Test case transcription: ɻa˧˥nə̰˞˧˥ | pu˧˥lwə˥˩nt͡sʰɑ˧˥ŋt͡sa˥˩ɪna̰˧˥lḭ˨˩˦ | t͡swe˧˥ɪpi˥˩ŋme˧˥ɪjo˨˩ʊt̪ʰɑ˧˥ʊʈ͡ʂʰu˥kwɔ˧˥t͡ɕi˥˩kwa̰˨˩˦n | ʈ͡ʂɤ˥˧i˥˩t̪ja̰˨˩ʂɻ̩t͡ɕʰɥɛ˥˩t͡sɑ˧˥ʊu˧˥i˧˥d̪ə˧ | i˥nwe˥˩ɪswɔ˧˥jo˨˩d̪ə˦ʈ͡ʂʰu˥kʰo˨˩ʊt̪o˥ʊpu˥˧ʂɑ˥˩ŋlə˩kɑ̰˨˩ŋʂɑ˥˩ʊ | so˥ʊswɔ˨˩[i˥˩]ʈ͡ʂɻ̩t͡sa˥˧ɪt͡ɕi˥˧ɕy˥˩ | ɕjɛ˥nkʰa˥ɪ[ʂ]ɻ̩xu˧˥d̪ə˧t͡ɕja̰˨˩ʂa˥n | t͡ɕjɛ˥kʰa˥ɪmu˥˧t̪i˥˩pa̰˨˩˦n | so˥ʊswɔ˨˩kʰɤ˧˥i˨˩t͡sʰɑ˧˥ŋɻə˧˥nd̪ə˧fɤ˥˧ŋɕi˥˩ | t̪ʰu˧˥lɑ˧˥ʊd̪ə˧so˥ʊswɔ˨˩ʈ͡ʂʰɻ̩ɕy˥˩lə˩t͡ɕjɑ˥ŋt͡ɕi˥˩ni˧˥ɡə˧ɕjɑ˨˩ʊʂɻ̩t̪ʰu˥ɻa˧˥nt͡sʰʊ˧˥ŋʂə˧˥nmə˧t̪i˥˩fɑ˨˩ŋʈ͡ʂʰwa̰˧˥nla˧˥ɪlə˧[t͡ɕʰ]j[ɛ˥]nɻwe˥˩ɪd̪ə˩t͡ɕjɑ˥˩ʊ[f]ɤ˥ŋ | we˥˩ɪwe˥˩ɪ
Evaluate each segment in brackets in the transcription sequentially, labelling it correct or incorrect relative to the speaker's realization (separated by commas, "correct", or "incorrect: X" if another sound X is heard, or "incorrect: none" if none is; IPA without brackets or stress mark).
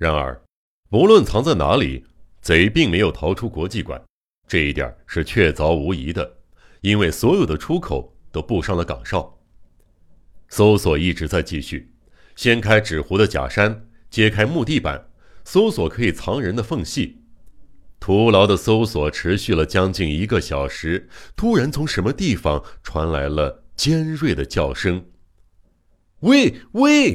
correct, incorrect: ʈ͡ʂ, incorrect: t͡ɕ, correct, incorrect: ʂ